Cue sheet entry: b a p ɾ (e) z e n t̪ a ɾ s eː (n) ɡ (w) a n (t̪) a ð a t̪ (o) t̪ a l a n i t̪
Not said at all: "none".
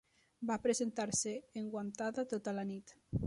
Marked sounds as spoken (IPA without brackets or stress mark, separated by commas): e, ŋ, w, t̪, o